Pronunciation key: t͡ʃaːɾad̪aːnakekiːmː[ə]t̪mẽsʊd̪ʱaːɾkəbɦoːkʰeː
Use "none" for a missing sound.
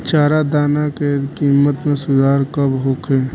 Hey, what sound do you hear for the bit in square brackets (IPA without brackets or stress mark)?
ə